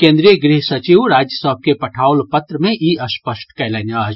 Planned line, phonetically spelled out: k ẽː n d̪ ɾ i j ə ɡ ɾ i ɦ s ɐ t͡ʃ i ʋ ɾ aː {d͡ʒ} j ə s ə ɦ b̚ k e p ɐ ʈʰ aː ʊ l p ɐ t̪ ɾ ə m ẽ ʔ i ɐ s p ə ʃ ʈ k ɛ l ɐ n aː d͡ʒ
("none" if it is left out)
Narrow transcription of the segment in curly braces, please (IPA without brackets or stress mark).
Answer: d͡ʒ